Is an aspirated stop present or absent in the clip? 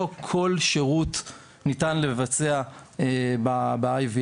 present